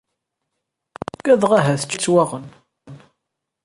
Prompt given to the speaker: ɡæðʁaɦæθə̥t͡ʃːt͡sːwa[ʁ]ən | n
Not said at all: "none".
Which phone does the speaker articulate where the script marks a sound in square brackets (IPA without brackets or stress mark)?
ʁ